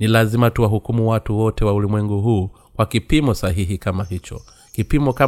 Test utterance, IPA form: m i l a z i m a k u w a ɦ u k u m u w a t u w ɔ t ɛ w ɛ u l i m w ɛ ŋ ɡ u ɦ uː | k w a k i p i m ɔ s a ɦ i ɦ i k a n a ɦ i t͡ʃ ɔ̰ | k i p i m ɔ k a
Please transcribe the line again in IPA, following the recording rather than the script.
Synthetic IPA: n i l a z i m a t u w a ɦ u k u m u w a t u w ɔ t ɛ w a u l i m w ɛ ŋ ɡ u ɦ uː | k w a k i p i m ɔ s a ɦ i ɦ i k a m a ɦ i t͡ʃ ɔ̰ | k i p i m ɔ k a